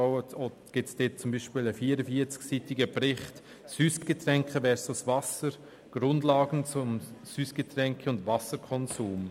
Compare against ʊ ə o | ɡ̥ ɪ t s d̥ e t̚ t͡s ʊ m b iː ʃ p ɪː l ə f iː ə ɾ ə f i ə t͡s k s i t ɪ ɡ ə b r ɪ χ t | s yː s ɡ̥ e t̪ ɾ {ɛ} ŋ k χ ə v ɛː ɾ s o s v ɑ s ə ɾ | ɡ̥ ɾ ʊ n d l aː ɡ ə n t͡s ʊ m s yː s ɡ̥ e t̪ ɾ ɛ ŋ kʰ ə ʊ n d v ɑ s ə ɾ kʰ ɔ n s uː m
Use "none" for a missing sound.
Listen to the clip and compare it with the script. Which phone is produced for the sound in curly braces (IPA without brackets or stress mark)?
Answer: ɛ